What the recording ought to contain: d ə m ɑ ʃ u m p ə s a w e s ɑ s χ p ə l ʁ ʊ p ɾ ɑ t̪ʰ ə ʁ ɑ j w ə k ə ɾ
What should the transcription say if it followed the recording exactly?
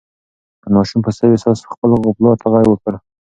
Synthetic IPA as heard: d ə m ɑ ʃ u m p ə s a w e s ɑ s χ p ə l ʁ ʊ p l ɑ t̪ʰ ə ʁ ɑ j w ə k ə ɾ